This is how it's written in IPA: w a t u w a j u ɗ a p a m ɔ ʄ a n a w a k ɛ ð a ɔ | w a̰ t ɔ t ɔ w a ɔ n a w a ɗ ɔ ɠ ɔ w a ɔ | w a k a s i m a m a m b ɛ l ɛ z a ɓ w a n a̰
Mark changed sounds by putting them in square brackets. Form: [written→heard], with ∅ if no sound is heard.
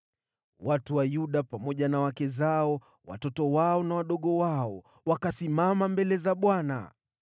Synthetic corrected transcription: w a t u w a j u ɗ a p a m ɔ ʄ a n a w a k ɛ [ð→z] a ɔ | w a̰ t ɔ t ɔ w a ɔ n a w a ɗ ɔ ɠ ɔ w a ɔ | w a k a s i m a m a m b ɛ l ɛ z a ɓ w a n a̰

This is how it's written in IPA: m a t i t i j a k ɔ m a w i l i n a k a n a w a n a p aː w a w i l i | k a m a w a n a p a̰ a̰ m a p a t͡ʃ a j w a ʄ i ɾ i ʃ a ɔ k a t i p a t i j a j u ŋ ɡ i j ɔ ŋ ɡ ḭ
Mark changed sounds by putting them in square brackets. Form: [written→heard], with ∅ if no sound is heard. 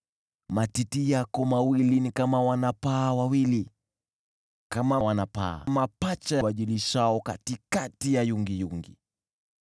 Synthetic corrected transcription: m a t i t i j a k ɔ m a w i l i n [a→i] k a [n→m] a w a n a p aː w a w i l i | k a m a w a n a p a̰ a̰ m a p a t͡ʃ a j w a ʄ i [ɾ→l] i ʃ a ɔ k a t i [p→k] a t i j a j u ŋ ɡ i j [ɔ→u] ŋ ɡ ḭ

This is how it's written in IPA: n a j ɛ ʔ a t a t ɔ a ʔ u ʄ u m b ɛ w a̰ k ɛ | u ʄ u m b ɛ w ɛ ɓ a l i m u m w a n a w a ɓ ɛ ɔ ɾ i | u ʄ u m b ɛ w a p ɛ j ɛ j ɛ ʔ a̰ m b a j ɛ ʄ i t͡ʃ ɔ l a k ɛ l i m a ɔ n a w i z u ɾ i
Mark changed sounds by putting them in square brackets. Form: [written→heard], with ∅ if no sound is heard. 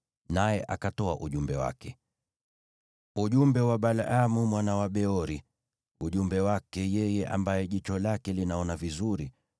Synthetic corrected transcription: n a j ɛ ʔ a [t→k] a t ɔ a ʔ u ʄ u m b ɛ w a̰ k ɛ | u ʄ u m b ɛ w [ɛ→a] ɓ a l [i→a] m u m w a n a w a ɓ ɛ ɔ ɾ i | u ʄ u m b ɛ w a [p→k] ɛ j ɛ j ɛ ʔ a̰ m b a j ɛ ʄ i t͡ʃ ɔ l a k ɛ l i [m→n] a ɔ n a [w→v] i z u ɾ i

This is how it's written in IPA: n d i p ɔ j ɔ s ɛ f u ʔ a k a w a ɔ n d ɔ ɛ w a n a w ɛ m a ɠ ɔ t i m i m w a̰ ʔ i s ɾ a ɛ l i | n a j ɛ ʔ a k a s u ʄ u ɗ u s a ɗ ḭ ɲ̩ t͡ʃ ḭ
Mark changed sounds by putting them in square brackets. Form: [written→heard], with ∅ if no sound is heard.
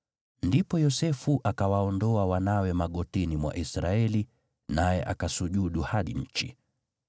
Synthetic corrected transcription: n d i p ɔ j ɔ s ɛ f u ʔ a k a w a ɔ n d ɔ [ɛ→a] w a n a w ɛ m a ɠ ɔ t i [m→n] i m w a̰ ʔ i s ɾ a ɛ l i | n a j ɛ ʔ a k a s u ʄ u ɗ u [s→h] a ɗ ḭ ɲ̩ t͡ʃ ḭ

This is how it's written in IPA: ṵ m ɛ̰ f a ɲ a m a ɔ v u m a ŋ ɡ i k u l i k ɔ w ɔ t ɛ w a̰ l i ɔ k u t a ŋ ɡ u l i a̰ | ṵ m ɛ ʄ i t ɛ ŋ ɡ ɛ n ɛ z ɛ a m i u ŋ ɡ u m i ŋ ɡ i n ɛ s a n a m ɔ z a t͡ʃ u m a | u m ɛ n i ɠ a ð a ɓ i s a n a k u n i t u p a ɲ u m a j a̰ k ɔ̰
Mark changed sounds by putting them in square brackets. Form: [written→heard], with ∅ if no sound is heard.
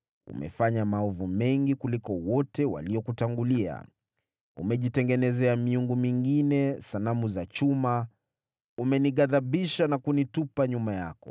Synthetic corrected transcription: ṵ m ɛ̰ f a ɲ a m a ɔ v u m [a→ɛ] ŋ ɡ i k u l i k ɔ w ɔ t ɛ w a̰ l i ɔ k u t a ŋ ɡ u l i a̰ | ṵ m ɛ ʄ i t ɛ ŋ ɡ ɛ n ɛ z ɛ a m i u ŋ ɡ u m i ŋ ɡ i n ɛ s a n a m [ɔ→u] z a t͡ʃ u m a | u m ɛ n i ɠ a ð a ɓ i [s→ʃ] a n a k u n i t u p a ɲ u m a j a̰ k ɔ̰

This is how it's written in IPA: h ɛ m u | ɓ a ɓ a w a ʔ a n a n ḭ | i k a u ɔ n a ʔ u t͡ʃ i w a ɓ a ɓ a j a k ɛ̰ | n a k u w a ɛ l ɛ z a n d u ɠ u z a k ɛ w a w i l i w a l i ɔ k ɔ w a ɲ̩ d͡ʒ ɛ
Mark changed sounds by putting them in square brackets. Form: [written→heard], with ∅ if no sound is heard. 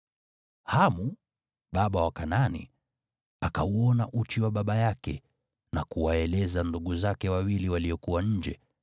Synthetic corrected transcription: h [ɛ→a] m u | ɓ a ɓ a w a [ʔ→k] a n a n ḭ | [i→a] k a u ɔ n a ʔ u t͡ʃ i w a ɓ a ɓ a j a k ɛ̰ | n a k u w a ɛ l ɛ z a n d u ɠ u z a k ɛ w a w i l i w a l i ɔ k [ɔ→u] w a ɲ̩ d͡ʒ ɛ

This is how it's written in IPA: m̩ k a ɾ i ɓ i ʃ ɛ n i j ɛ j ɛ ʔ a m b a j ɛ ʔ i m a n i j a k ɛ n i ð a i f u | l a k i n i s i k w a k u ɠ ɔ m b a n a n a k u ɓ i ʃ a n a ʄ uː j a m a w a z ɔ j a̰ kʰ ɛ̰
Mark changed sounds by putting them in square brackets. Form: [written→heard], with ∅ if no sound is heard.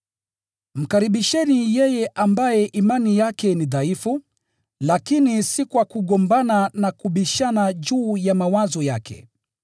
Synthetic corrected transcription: m̩ k a ɾ i ɓ i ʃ ɛ n i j ɛ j ɛ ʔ a m b a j ɛ ʔ i m a n i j a k ɛ n i ð a i f u | l a k i n i s i k w a k u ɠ ɔ m b a n a n a k u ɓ i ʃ a n a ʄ uː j a m a w a z ɔ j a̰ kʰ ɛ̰

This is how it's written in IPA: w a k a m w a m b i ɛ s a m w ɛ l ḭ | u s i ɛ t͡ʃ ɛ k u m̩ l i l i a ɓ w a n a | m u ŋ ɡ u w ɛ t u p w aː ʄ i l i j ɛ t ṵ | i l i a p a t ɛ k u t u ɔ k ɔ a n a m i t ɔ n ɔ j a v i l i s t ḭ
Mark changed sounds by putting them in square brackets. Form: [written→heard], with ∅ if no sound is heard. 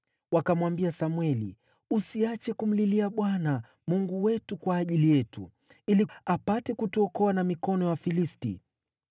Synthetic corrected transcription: w a k a m w a m b i [ɛ→a] s a m w ɛ l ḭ | u s i [ɛ→a] t͡ʃ ɛ k u m̩ l i l i a ɓ w a n a | m u ŋ ɡ u w ɛ t u [p→k] w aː ʄ i l i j ɛ t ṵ | i l i a p a t ɛ k u t u ɔ k ɔ a n a m i [t→k] ɔ n ɔ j a [v→f] i l i s t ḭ

